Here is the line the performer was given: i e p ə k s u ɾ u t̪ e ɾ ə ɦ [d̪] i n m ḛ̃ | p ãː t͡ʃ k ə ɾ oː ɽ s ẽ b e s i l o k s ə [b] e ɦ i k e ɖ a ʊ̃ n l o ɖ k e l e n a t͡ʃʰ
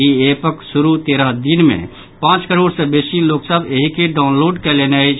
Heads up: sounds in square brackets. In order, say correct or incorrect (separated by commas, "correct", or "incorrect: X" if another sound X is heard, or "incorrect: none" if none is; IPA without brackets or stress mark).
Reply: correct, correct